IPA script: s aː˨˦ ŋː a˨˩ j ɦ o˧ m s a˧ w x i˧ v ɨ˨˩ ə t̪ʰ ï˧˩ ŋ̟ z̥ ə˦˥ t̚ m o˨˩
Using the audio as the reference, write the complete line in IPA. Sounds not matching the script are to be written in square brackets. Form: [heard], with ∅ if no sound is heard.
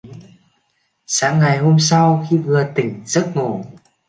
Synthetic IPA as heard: s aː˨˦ ŋː a˨˩ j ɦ o˧ m s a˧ w x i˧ v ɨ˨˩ ə [t̪] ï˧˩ ŋ̟ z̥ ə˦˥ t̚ [ŋ] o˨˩